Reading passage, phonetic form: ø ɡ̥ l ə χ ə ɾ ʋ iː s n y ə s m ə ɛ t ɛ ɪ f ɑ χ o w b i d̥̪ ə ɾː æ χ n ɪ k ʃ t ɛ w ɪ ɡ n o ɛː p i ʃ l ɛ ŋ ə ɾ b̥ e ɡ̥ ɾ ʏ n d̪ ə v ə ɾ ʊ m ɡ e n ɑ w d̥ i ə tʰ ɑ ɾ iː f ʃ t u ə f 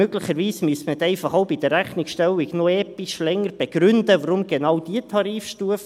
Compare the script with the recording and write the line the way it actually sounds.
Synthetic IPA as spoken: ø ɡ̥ l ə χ ə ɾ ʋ iː s m y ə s m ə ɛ t ɛ ɪ f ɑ χ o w b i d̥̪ ə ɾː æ χ n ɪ k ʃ t ɛ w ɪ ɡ n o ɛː p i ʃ l ɛ ŋ ə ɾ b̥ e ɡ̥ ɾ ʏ n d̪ ə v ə ɾ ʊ m ɡ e n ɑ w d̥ i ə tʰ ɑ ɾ iː f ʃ t u ə f

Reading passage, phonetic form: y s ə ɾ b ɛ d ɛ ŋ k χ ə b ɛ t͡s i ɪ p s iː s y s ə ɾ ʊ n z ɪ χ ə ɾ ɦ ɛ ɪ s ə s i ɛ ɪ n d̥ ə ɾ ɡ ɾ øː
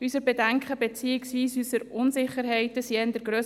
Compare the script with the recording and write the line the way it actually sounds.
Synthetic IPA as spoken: y s ə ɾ b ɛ d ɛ ŋ k χ ə b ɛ t͡s i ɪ k s iː s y s ə ɾ ʊ n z ɪ χ ə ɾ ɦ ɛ ɪ t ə s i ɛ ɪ n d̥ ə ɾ ɡ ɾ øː

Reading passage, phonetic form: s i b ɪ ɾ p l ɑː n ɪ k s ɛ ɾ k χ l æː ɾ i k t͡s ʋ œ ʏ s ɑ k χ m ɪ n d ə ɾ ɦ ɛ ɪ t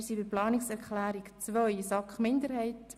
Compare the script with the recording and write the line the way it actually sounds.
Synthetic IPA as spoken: s i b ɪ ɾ p l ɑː n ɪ k s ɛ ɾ k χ l æː ɾ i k t͡s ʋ œ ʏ s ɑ k χ m ɪ n d ə ɾ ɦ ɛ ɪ t

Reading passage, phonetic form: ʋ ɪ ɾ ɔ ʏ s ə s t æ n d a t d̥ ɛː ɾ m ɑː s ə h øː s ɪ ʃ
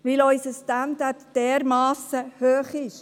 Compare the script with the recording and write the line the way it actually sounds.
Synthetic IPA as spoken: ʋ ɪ l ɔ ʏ s ə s t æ n d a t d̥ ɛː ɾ m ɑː s ə h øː χ ɪ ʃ

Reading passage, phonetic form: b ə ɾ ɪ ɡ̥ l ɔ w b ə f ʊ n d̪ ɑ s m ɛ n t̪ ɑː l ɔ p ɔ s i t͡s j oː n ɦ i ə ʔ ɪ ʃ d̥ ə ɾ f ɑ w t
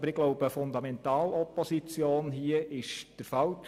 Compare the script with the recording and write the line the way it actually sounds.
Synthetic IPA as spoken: b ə ɾ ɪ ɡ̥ l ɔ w b ə f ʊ n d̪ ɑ m ɛ n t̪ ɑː l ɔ p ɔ s i t͡s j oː n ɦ i ə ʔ ɪ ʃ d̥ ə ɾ f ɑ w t

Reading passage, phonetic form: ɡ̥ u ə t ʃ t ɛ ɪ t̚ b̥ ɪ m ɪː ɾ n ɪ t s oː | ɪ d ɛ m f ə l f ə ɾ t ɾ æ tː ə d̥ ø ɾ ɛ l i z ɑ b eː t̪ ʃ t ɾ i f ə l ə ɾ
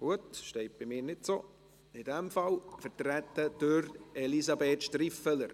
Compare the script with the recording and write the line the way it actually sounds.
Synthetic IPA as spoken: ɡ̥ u ə t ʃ t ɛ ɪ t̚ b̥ ɪ m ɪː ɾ n ɪ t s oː | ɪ d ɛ m f ɑ l f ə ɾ t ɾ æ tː ə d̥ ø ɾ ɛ l i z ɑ b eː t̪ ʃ t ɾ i f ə l ə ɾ

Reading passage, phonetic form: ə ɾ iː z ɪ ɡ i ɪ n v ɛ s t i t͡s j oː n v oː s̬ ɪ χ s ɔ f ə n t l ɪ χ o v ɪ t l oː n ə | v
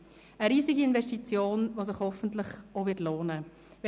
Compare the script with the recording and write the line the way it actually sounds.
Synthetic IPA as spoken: ə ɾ iː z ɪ ɡ i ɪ n v ɛ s t i t͡s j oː n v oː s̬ ɪ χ h ɔ f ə n t l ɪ χ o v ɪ t l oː n ə | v

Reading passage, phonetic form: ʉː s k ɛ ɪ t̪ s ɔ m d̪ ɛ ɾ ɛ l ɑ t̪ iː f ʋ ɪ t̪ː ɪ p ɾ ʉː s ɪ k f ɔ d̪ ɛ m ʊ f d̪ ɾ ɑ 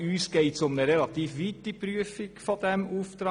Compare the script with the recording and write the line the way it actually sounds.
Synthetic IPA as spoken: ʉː s k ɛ ɪ t̪ s ɔ m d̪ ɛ ɾ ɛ l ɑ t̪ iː f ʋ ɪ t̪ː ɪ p ɾ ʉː f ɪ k f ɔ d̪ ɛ m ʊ f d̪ ɾ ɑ

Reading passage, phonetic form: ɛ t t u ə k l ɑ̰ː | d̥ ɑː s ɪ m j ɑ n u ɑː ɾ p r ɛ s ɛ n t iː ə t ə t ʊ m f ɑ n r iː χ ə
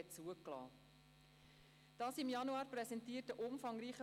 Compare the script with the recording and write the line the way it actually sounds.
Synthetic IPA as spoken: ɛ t t͡s u ə k l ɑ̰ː | d̥ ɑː s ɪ m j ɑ n u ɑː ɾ p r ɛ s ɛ n t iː ə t ə ʔ ʊ m f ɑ ŋ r iː χ ə

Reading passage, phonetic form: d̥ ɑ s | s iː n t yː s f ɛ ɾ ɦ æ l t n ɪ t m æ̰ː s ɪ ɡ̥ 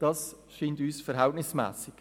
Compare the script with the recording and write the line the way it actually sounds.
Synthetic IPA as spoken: d̥ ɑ s | ʃ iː n t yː s f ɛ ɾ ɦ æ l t n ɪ s m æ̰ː s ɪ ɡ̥

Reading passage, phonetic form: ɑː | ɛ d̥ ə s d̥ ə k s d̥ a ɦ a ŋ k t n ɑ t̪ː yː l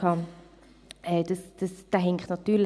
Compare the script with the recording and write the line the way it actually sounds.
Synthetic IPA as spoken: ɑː | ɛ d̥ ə s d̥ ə s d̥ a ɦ ɛ ŋ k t n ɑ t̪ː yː l

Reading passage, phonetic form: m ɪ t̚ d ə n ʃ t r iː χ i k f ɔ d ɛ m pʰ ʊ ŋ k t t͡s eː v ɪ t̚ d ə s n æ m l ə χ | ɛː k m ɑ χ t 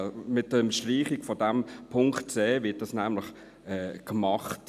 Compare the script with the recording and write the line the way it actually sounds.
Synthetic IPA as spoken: m ɪ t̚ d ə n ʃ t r iː χ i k f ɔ d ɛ m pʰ ʊ ŋ k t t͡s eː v ɪ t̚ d ɑ s n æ m l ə χ | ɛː k m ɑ χ t

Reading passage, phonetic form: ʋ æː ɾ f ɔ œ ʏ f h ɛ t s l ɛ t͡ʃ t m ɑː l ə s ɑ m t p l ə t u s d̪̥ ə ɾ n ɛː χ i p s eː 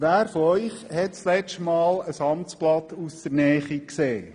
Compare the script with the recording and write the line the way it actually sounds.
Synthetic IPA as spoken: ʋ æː ɾ f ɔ œ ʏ χ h ɛ t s l ɛ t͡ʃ t m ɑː l ə s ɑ m t͡s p l ɑ t u s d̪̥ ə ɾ n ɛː χ i k s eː

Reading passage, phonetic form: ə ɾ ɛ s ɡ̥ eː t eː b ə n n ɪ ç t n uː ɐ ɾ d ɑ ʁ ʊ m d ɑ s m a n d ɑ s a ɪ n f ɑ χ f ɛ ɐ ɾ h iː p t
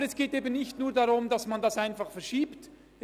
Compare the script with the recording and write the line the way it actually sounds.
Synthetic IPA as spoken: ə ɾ ɛ s ɡ̥ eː t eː b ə n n ɪ ç t n uː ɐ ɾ d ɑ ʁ ʊ m d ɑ s m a n d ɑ s a ɪ n f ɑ χ f ɛ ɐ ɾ ʃ iː p t

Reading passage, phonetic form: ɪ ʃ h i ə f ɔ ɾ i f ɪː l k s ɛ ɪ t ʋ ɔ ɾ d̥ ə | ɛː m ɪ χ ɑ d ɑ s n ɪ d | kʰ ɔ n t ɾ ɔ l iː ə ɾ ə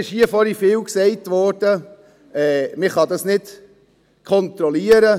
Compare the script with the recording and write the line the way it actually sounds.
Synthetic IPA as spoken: ɪ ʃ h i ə f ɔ ɾ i f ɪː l k s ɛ ɪ t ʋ ɔ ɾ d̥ ə | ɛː m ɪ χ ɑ d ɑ s n ɪ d | kʰ ɔ n t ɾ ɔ l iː ə ɾ ə

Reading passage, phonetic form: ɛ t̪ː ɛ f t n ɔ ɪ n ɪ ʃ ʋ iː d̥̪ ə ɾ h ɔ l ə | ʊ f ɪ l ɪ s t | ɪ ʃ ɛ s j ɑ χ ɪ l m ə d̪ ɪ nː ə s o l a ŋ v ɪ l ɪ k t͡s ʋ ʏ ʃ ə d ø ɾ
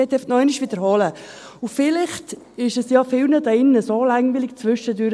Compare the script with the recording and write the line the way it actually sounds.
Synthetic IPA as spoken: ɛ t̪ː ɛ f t n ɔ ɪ n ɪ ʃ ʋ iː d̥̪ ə ɾ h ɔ l ə | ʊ f ɪ l ɪ χ t | ɪ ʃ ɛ s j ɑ f ɪ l n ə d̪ ɪ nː ə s o l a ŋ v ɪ l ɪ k t͡s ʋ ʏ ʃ ə d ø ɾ

